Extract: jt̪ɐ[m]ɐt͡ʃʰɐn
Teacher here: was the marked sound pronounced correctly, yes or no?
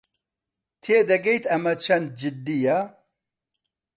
yes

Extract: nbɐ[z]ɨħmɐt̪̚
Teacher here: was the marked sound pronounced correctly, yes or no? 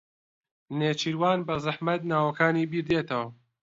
yes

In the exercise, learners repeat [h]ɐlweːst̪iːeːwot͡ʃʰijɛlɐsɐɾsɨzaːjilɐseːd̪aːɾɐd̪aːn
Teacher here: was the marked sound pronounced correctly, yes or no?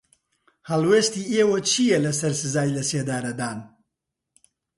yes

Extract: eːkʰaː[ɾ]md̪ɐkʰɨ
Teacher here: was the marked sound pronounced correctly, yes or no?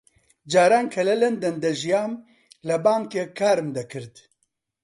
yes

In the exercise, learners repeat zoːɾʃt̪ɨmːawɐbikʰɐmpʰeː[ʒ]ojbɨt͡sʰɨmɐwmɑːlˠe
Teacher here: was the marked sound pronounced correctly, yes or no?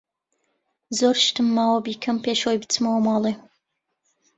no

